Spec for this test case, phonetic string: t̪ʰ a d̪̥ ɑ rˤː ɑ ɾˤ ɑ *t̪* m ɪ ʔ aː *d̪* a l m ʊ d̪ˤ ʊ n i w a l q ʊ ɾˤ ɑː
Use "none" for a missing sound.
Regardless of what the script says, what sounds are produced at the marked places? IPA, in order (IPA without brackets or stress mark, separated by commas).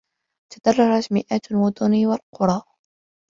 t̪, t̪